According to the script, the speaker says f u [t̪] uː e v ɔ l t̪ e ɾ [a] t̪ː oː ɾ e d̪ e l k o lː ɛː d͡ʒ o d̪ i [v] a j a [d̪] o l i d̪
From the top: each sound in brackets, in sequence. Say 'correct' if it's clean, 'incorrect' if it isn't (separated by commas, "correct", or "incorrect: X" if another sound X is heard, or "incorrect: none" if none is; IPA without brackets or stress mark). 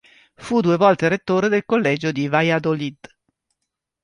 incorrect: d̪, incorrect: e, correct, correct